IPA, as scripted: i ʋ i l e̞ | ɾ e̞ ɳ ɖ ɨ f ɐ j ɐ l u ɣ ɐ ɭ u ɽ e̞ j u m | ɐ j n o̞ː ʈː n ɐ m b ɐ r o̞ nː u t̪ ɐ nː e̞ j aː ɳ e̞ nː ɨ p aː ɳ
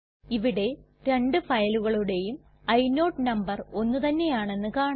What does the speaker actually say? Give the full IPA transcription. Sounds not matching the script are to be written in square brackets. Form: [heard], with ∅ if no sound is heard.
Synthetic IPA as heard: i ʋ i [ɽ] e̞ | ɾ e̞ ɳ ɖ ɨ f ɐ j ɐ l u ɣ ɐ ɭ u ɽ e̞ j u m | ɐ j n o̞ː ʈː n ɐ m b ɐ r o̞ nː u t̪ ɐ nː e̞ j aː ɳ e̞ nː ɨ [k] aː ɳ